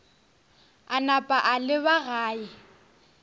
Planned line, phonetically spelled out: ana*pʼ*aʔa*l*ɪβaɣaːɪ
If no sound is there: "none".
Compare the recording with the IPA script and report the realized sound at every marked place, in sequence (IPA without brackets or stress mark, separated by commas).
pʼ, l